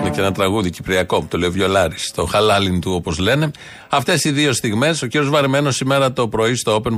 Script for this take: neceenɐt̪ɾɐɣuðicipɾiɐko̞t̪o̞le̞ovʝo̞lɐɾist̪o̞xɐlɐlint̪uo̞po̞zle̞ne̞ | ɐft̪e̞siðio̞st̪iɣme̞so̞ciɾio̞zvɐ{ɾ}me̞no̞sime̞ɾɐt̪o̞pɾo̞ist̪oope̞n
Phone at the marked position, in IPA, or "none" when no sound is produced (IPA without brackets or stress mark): ɾ